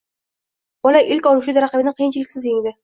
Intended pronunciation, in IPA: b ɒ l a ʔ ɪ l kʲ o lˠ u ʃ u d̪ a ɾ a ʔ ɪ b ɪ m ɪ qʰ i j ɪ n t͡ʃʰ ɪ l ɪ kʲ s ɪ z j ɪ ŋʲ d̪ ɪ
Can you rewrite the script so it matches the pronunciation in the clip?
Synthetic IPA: b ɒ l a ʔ ɪ l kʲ ɒ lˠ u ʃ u d̪ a ɾ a q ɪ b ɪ n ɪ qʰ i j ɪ n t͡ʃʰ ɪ l ɪ kʲ s ɪ z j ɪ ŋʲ d̪ ɪ